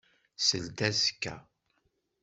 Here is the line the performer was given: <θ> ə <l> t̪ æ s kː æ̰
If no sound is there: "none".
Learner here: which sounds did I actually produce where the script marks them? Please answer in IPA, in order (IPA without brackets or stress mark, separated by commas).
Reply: s, l